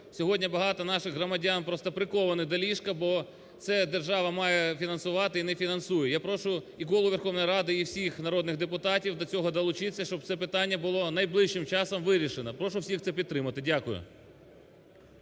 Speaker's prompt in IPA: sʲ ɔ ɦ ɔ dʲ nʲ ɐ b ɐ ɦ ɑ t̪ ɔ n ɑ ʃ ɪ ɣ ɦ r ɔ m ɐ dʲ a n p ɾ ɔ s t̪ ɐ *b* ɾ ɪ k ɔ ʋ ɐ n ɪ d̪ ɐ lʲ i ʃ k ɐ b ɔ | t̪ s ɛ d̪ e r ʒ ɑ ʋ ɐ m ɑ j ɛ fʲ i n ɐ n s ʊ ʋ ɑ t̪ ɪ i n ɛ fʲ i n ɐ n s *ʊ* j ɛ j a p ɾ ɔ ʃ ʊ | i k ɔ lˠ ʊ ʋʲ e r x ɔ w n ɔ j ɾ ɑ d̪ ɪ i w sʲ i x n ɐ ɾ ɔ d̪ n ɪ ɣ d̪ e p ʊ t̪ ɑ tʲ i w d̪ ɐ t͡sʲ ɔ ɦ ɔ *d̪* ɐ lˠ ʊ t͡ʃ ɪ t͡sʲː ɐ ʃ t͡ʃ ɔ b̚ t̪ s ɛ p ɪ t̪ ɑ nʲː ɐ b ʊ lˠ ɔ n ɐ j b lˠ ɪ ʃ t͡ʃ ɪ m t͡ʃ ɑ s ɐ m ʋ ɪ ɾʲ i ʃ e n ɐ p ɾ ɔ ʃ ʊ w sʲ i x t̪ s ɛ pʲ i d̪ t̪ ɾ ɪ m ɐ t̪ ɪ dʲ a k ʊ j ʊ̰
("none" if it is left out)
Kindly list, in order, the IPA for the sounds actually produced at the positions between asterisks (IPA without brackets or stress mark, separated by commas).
p, u, d̪